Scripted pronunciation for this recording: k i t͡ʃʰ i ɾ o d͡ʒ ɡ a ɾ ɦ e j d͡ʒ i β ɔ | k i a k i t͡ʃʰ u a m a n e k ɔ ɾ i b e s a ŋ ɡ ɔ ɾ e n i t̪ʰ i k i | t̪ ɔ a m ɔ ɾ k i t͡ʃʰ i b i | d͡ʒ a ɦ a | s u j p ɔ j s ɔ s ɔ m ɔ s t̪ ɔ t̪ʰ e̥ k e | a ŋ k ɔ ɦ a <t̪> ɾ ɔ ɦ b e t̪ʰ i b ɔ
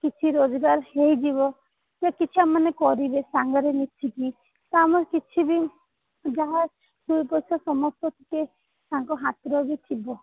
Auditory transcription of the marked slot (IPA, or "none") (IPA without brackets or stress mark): t̪